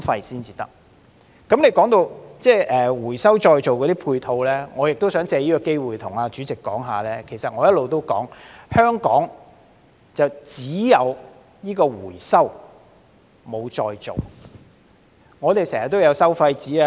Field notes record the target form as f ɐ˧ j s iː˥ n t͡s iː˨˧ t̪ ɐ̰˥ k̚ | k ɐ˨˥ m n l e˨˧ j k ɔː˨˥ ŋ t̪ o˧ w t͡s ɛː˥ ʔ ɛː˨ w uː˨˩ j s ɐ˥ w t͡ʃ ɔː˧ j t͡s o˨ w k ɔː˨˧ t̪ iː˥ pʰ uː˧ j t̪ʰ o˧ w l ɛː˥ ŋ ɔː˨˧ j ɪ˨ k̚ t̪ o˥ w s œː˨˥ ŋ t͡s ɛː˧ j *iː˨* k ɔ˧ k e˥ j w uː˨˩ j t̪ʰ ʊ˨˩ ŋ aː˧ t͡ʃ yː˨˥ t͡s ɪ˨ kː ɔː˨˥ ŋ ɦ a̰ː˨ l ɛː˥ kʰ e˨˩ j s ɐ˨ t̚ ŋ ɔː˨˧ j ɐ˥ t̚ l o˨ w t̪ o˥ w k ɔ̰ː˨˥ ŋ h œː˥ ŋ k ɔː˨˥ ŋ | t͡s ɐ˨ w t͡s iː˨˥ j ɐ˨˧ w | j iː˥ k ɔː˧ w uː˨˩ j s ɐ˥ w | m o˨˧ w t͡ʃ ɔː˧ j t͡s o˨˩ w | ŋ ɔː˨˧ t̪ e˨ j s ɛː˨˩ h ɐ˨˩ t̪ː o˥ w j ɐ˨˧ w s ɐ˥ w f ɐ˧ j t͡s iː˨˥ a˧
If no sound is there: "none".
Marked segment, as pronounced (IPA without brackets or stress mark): iː˥